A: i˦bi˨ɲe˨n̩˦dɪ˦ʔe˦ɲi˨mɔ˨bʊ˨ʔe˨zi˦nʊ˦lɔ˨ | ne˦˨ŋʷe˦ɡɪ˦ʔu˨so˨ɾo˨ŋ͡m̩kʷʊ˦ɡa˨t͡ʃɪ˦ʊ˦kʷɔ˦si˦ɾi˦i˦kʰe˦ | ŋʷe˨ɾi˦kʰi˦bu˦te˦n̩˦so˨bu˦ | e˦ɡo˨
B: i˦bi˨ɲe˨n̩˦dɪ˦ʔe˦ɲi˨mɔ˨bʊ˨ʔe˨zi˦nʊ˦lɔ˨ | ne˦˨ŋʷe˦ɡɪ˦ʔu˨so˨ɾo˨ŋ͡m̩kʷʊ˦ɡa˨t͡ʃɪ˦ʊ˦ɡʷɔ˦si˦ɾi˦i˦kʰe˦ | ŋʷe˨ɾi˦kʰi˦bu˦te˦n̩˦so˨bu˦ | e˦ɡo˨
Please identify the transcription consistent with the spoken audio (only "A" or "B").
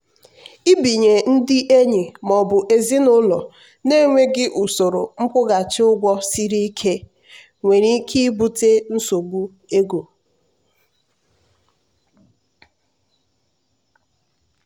B